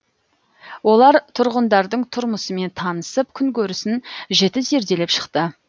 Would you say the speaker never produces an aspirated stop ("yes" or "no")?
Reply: no